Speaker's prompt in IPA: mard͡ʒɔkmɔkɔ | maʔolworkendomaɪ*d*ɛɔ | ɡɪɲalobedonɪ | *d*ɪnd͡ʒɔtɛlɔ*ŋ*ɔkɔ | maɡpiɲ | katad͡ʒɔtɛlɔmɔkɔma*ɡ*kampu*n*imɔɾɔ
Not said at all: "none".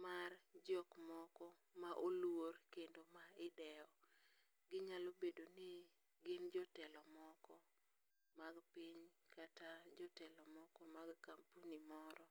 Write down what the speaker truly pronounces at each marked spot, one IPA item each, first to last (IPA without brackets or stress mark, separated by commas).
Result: d, ɡ, m, ɡ, n